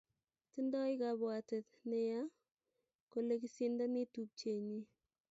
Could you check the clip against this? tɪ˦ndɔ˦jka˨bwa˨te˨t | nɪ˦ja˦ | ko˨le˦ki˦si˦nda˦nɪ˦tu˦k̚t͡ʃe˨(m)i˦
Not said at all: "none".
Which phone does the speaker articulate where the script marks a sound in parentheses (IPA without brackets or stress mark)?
ɲ